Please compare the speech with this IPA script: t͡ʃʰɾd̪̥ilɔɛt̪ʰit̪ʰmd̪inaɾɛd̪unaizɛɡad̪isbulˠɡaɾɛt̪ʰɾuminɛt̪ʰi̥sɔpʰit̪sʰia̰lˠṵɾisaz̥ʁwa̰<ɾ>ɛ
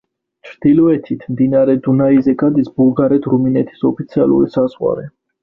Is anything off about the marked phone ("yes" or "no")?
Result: no